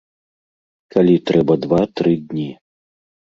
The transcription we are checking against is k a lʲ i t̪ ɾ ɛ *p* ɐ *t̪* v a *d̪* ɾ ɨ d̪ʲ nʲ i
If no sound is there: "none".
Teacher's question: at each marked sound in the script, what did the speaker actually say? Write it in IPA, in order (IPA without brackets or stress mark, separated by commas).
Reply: b, d̪, t̪